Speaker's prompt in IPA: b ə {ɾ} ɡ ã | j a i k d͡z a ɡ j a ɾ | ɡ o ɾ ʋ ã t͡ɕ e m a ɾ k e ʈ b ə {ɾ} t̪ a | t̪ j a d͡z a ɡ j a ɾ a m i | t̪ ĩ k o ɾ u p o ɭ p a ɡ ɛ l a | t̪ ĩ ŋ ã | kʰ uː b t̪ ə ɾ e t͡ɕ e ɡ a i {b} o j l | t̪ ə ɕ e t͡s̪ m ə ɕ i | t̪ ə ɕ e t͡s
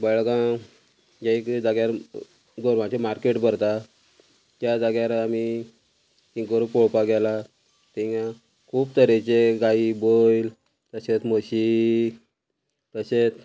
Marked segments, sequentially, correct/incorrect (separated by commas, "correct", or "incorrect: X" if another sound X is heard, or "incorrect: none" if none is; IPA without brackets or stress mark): incorrect: ɭ, correct, correct